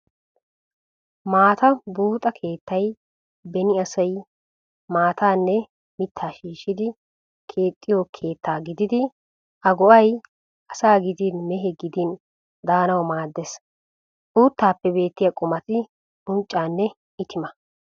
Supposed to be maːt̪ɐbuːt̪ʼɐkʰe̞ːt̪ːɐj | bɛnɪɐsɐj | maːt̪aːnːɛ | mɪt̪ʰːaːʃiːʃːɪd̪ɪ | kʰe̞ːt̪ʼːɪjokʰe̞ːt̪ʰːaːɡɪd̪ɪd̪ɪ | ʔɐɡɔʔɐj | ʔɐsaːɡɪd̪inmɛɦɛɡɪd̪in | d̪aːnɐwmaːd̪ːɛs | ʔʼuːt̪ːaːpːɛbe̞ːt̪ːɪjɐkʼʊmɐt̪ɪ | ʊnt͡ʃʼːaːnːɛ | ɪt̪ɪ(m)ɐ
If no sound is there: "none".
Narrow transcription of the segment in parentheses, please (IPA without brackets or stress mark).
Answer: m